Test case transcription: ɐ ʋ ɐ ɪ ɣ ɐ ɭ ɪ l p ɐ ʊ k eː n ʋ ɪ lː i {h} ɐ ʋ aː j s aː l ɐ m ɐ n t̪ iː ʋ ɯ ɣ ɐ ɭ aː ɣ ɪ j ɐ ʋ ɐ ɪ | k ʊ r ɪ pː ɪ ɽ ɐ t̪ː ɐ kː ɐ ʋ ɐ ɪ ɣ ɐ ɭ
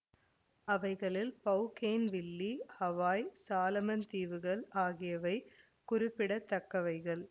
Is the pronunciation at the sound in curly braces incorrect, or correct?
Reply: correct